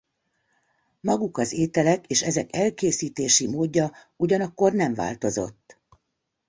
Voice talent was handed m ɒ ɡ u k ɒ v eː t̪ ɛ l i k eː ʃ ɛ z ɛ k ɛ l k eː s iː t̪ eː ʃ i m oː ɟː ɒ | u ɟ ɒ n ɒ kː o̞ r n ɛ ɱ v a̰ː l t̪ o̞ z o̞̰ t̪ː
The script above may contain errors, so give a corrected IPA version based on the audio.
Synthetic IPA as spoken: m ɒ ɡ u k ɒ z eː t̪ ɛ l ɛ k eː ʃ ɛ z ɛ k ɛ l k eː s iː t̪ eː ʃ i m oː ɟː ɒ | u ɟ ɒ n ɒ kː o̞ r n ɛ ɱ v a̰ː l t̪ o̞ z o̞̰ t̪ː